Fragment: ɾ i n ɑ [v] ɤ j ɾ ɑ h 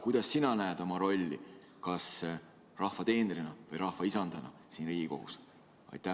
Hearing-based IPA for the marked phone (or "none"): v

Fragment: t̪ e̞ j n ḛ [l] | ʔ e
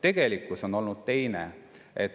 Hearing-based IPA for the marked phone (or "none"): none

